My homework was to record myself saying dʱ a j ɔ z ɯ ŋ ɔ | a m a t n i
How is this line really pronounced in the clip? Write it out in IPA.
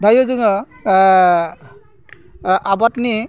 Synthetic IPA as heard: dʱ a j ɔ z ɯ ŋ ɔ | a b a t n i